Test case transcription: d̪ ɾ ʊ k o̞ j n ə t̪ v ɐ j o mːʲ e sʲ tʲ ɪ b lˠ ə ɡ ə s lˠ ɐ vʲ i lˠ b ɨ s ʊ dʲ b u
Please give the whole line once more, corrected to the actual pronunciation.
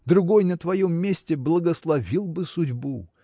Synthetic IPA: d̪ ɾ ʊ ɡ o̞ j n ə t̪ v ɐ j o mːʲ e sʲ tʲ ɪ b lˠ ə ɡ ə s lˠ ɐ vʲ i lˠ b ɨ s ʊ dʲ b u